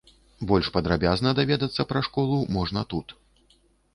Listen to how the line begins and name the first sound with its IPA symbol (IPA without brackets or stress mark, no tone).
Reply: b